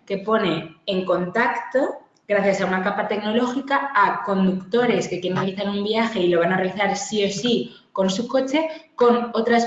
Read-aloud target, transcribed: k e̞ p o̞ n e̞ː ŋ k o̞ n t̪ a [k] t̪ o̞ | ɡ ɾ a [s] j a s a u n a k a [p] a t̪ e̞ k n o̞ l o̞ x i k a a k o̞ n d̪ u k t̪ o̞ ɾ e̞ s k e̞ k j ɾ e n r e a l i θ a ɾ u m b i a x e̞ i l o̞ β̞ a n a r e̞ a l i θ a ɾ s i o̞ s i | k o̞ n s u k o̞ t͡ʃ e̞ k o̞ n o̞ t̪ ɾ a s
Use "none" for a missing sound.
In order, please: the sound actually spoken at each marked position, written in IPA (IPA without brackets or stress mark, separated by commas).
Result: k, θ, p